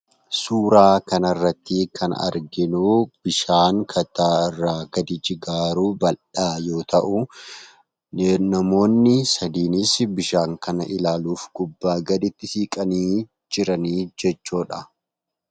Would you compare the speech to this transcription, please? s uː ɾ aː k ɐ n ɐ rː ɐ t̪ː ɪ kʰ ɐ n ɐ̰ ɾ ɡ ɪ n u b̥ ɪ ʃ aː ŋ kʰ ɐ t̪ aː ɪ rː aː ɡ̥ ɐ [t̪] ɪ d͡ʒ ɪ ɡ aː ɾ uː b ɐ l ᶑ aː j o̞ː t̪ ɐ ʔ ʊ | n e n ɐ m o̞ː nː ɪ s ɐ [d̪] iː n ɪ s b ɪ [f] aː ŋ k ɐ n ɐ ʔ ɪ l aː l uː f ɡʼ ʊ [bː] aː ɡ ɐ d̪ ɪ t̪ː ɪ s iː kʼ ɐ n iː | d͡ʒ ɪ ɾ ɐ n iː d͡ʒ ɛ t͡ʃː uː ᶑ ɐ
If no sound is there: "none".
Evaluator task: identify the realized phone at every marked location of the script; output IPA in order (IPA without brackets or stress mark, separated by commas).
d̪, d̪, ʃ, bː